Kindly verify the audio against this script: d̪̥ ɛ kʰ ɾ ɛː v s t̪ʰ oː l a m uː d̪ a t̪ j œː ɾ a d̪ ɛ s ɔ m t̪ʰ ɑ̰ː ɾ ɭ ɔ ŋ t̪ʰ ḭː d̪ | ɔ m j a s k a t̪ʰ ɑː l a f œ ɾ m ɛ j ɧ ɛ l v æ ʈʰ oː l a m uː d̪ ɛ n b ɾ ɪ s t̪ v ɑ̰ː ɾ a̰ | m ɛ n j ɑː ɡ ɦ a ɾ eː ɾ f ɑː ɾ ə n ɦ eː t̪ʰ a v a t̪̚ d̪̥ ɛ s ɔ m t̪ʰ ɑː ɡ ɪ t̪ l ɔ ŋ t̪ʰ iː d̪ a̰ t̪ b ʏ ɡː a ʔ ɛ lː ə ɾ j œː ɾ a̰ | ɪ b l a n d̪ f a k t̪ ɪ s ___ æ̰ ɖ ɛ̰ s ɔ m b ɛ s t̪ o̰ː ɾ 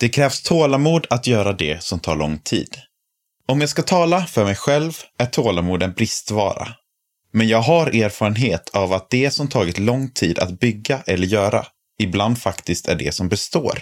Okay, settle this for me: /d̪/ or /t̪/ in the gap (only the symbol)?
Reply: t̪